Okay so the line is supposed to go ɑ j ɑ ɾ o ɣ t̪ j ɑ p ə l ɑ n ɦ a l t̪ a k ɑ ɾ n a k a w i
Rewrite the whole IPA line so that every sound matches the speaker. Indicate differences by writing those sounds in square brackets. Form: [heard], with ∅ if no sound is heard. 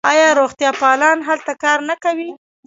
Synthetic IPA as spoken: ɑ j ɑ ɾ o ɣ t̪ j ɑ p [ɑ] l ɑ n ɦ a l t̪ a k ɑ ɾ n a k a w i